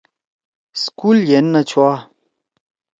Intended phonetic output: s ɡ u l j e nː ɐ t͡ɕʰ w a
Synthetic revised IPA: s k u l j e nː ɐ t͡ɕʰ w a

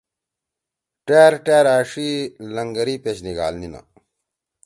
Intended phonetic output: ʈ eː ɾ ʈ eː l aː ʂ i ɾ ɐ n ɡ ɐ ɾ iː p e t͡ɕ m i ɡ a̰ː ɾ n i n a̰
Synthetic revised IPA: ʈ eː ɾ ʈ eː ɾ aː ʂ i l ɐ ŋ ɡ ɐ ɾ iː p e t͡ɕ n i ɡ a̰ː l n i n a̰

